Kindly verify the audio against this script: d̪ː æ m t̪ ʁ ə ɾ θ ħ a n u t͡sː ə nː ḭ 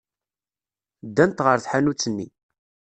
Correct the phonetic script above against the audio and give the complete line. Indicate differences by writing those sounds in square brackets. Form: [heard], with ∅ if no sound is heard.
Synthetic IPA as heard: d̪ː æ [n] t̪ ʁ ə ɾ θ ħ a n u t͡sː ə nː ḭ